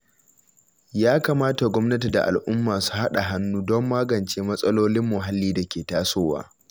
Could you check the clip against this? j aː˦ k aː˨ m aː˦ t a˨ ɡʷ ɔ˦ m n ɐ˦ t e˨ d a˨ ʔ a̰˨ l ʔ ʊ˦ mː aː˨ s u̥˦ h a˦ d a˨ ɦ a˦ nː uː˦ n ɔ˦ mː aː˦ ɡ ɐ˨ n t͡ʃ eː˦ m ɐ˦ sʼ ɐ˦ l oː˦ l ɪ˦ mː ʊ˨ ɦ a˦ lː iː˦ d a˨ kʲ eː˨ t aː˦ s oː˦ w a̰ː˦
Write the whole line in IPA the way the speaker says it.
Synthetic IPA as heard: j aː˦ k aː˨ m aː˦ t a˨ ɡʷ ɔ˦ m n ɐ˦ t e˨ d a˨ ʔ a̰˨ l ʔ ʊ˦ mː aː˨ s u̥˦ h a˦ ɗ a˨ ɦ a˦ nː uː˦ d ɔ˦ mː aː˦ ɡ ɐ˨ n t͡ʃ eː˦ m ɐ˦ sʼ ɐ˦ l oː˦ l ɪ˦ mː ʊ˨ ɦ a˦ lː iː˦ d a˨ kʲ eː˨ t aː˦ s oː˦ w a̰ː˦